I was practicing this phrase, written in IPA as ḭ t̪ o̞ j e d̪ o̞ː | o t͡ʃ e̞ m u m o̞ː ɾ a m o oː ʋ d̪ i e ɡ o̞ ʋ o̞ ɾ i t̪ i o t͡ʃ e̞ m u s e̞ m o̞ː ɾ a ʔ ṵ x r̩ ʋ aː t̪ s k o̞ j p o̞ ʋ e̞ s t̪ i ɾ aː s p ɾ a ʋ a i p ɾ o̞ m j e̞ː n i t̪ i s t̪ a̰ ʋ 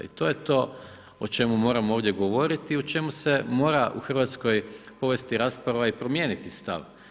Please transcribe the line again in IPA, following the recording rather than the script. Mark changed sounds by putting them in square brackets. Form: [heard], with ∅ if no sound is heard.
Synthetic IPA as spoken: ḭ t̪ o̞ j e [t̪] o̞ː | o t͡ʃ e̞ m u m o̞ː ɾ a m o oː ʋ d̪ [j] e ɡ o̞ ʋ o̞ ɾ i t̪ i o t͡ʃ e̞ m u s e̞ m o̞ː ɾ a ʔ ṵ x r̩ ʋ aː t̪ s k o̞ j p o̞ ʋ e̞ s t̪ i ɾ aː s p ɾ a ʋ a i p ɾ o̞ m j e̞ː n i t̪ i s t̪ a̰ ʋ